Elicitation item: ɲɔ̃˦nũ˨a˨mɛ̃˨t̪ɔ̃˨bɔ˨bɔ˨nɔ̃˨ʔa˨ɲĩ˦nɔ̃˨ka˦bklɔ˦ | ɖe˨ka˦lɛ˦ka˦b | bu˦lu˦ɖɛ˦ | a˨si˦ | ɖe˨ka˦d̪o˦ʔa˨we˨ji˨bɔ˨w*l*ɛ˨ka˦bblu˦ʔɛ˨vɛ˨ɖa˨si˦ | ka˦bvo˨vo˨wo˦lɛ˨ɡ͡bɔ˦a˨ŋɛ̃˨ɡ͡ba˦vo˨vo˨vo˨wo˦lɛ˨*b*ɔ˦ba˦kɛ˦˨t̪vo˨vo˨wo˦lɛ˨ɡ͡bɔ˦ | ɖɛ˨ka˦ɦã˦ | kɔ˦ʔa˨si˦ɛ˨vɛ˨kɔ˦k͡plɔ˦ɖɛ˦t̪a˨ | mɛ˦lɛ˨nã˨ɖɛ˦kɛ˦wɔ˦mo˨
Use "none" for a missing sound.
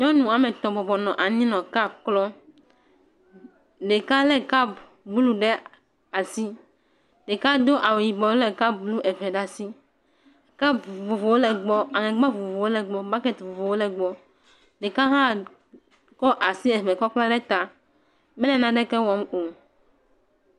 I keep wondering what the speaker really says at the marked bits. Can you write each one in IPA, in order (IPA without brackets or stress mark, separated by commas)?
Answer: l, ɡ͡b